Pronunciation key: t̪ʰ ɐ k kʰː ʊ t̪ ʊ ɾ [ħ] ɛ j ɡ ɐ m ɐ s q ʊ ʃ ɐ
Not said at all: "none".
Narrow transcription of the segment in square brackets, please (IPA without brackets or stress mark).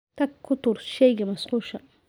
ʃ